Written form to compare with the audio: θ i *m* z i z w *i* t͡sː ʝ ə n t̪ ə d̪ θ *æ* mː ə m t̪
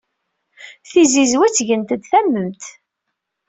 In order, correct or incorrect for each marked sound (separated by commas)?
incorrect, incorrect, correct